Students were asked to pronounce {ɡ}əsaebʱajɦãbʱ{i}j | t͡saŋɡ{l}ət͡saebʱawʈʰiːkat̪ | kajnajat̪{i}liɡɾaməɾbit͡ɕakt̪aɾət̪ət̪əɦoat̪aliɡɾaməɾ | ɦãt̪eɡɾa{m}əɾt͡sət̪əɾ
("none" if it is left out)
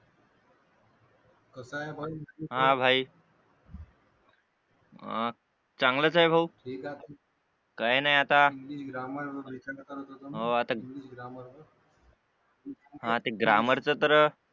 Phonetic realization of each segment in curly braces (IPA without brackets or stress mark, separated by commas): k, a, l, a, m